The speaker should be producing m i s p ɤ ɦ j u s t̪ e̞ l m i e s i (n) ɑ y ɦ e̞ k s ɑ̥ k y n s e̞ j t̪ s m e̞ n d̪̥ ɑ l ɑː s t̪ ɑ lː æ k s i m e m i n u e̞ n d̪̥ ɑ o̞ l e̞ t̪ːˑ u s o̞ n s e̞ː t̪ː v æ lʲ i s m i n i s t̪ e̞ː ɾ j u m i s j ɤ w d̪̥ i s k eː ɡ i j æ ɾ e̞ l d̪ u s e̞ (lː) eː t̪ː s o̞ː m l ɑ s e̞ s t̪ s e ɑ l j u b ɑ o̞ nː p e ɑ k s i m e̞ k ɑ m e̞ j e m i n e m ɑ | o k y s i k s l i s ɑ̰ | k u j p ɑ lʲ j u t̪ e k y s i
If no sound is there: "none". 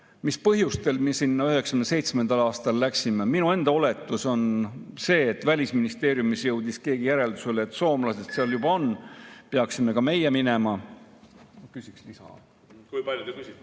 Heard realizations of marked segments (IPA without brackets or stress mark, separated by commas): nː, l